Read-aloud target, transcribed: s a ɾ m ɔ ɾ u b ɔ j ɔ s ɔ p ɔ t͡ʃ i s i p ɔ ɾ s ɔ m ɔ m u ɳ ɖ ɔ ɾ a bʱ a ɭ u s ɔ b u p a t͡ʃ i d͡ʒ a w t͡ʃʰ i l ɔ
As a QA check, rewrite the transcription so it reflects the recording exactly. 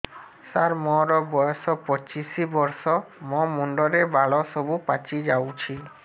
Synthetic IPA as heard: s a ɾ m ɔ ɾ ɔ b ɔ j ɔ s ɔ p ɔ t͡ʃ i s i b ɔ ɾ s ɔ m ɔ m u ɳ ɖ ɔ ɾ e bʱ a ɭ ɔ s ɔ b u p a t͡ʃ i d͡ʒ a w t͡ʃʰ i l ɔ